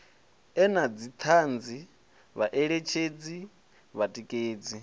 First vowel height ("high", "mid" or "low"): mid